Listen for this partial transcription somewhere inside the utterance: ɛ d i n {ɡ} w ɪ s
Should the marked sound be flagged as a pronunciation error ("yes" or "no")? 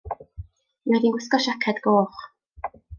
no